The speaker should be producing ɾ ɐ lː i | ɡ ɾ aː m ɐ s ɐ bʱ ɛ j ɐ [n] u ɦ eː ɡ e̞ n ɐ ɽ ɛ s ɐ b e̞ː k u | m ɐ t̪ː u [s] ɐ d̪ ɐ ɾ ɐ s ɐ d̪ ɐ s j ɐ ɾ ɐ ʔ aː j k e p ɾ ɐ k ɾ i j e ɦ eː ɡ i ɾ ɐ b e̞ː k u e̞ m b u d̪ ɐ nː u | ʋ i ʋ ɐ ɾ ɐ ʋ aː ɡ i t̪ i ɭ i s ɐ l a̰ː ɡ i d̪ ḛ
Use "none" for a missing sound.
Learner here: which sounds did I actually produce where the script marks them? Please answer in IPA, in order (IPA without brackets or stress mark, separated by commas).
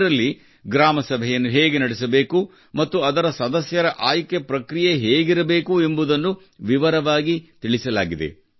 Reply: nː, none